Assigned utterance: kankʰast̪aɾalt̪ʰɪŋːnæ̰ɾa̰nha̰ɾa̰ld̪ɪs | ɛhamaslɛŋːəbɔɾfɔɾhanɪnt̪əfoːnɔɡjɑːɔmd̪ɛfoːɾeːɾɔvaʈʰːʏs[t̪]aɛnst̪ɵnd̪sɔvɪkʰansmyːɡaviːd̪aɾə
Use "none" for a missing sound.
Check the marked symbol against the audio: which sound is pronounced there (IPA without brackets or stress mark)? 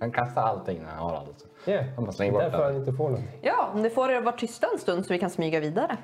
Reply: t̪